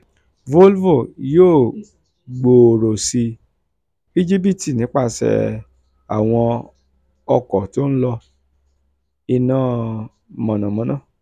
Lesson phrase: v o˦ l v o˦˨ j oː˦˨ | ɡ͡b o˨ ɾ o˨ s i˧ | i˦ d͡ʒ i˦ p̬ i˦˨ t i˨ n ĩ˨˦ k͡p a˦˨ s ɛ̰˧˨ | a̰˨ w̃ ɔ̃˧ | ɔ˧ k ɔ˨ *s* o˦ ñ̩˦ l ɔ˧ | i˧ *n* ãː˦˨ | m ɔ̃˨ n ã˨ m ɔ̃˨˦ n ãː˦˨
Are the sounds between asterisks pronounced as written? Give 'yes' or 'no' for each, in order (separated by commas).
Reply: no, yes